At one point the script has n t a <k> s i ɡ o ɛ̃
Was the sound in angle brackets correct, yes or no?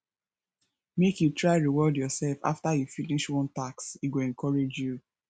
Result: yes